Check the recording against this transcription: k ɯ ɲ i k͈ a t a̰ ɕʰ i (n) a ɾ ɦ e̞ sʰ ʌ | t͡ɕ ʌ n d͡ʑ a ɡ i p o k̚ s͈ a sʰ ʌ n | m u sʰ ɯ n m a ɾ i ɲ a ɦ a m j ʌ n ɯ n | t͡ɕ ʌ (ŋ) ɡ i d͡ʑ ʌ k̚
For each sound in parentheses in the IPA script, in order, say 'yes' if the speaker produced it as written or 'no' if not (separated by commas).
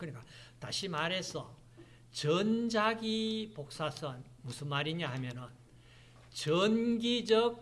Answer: no, no